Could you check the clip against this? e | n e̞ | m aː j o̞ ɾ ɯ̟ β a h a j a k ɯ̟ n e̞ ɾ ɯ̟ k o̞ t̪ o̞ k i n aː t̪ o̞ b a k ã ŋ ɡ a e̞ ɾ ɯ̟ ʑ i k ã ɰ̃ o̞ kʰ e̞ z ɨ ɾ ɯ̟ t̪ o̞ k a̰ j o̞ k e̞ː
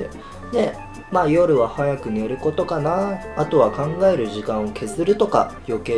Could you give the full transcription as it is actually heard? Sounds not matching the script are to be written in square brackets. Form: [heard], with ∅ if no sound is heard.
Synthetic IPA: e | n e̞ | m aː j o̞ ɾ ɯ̟ β a h a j a k ɯ̟ n e̞ ɾ ɯ̟ k o̞ t̪ o̞ k [a] n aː t̪ o̞ [β] a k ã ŋ ɡ a e̞ ɾ ɯ̟ ʑ i k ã ɰ̃ o̞ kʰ e̞ z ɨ ɾ ɯ̟ t̪ o̞ k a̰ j o̞ k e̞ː

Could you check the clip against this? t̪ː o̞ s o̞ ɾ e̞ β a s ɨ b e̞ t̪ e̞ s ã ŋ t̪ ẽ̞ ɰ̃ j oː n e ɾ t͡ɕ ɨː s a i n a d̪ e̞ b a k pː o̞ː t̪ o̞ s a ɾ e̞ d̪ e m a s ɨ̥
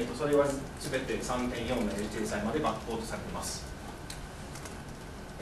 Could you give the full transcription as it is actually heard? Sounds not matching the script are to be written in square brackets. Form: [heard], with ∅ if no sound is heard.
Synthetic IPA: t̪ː o̞ s o̞ ɾ e̞ β a s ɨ b e̞ t̪ e̞ s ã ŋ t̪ ẽ̞ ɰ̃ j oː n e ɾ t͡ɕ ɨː s a i [m] a d̪ e̞ b a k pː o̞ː t̪ o̞ s a ɾ e̞ [t̪] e m a s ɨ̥

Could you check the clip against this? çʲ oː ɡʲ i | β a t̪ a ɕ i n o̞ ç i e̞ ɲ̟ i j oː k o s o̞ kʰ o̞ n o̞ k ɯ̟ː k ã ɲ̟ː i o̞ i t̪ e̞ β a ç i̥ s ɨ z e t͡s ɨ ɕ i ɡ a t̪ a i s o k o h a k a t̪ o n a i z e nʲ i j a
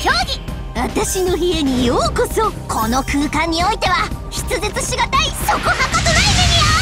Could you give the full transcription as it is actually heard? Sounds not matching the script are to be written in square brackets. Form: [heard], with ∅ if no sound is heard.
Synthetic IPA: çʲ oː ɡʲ i | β a t̪ a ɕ i n o̞ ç i e̞ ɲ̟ i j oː k o s o̞ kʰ o̞ n o̞ k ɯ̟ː k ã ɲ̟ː i o̞ i t̪ e̞ β a ç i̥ [t͡s] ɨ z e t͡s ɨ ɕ i ɡ a t̪ a i s o k o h a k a t̪ o n a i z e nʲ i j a

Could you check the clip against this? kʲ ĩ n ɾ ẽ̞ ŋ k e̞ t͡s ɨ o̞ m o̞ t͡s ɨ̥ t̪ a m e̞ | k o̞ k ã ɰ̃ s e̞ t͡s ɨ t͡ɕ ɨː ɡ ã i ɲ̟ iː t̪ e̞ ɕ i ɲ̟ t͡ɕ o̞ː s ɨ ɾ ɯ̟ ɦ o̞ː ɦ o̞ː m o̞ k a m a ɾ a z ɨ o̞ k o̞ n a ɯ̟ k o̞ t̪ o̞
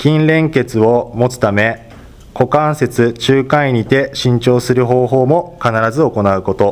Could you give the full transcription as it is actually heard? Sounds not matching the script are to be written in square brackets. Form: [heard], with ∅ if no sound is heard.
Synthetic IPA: kʲ ĩ n ɾ ẽ̞ ŋ k e̞ t͡s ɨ o̞ m o̞ t͡s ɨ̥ t̪ a m e̞ | k o̞ k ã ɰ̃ s e̞ t͡s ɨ t͡ɕ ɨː [k] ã i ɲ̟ [i] t̪ e̞ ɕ [ĩ] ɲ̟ t͡ɕ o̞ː s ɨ ɾ ɯ̟ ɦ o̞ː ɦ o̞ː m o̞ k a [n] a ɾ a z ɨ o̞ k o̞ n a ɯ̟ k o̞ t̪ o̞

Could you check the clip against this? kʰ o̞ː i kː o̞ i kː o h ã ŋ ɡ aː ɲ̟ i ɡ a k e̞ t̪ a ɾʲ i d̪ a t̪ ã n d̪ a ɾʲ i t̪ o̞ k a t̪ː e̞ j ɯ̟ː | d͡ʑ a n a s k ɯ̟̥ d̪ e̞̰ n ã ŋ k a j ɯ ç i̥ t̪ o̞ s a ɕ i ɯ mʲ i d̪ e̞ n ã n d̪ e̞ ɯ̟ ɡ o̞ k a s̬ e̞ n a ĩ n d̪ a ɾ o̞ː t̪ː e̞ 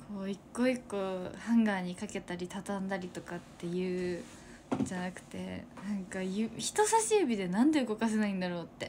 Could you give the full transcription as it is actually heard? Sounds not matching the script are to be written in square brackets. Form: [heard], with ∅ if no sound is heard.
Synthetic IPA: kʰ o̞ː i kː o̞ i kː o h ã ŋ ɡ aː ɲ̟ i [k] a k e̞ t̪ a ɾʲ i [t̪] a t̪ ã n d̪ a ɾʲ i t̪ o̞ k a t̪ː e̞ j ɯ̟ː | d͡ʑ a n a [∅] k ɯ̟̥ [t̪] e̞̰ n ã ŋ k a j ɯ ç i̥ t̪ o̞ s a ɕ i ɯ [bʲ] i d̪ e̞ n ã n d̪ e̞ ɯ̟ ɡ o̞ k a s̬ e̞ n a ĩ n d̪ a ɾ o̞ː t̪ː e̞

